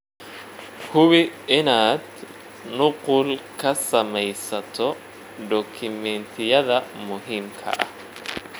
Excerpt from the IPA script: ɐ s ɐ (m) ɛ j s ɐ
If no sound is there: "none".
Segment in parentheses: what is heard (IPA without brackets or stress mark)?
m